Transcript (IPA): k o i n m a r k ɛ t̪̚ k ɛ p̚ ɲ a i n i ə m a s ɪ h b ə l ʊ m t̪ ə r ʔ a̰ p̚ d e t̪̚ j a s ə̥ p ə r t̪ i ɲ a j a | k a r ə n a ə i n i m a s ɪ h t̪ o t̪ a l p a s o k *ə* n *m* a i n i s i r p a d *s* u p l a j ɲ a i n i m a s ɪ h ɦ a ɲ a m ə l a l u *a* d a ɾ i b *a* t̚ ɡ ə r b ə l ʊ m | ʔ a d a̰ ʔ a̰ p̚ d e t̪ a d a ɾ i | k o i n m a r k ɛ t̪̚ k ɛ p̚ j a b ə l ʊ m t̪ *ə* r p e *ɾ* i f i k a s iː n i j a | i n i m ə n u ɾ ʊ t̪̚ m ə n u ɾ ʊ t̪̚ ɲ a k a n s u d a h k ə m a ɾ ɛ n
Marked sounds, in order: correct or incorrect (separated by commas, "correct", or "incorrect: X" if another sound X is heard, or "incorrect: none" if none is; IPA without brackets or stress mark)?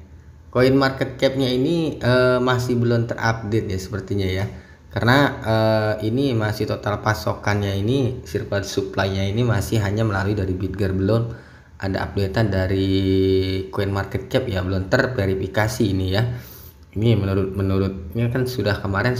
incorrect: a, incorrect: ɲ, correct, incorrect: i, incorrect: i, correct, correct